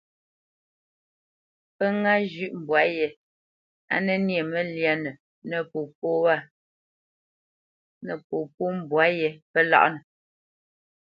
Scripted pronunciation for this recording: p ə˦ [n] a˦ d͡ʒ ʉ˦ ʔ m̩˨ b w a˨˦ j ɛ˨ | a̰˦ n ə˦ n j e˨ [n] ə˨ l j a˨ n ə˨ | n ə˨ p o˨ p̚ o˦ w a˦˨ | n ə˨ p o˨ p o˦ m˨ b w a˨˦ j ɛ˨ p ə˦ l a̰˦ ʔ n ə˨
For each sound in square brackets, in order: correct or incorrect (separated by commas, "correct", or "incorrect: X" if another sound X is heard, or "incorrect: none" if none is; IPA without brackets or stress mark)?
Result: incorrect: ŋ, incorrect: m